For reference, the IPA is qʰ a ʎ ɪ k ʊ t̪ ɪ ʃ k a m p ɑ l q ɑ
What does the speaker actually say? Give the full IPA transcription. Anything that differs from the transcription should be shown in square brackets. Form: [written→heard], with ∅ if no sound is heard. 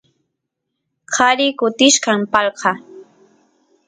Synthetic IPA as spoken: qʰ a [ʎ→ɾ] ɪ k ʊ t̪ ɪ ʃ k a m p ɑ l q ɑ